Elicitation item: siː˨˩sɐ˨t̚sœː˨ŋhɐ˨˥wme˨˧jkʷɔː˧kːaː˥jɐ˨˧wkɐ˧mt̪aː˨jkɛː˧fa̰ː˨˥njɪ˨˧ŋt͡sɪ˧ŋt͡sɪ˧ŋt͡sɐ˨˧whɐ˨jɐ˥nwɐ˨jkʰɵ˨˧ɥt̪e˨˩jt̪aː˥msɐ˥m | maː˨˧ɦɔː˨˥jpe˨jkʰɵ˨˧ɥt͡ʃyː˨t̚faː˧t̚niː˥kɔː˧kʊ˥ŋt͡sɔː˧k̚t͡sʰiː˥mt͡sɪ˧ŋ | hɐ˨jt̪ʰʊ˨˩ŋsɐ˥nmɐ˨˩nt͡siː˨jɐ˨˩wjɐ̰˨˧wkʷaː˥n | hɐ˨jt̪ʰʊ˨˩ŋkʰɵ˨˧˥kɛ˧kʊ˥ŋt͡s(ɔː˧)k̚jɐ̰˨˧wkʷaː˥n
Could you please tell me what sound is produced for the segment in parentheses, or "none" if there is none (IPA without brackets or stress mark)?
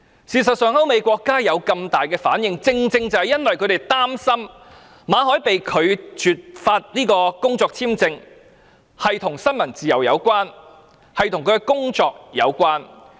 ɔː˧